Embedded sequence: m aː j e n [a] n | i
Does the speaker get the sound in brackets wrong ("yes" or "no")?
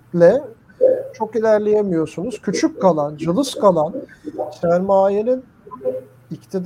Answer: yes